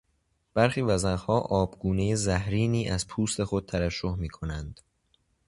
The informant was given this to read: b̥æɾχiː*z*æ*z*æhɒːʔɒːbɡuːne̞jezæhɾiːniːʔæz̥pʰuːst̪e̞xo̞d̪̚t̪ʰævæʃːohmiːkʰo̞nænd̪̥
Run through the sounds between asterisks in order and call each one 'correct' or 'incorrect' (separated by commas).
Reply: incorrect, correct